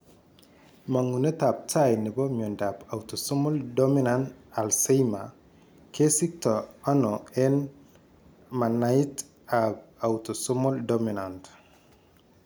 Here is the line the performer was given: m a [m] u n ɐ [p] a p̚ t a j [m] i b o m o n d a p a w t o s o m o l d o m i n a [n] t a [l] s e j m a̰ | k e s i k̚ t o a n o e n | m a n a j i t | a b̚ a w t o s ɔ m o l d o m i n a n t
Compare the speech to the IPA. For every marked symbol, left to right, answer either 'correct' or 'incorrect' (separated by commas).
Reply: incorrect, incorrect, incorrect, correct, correct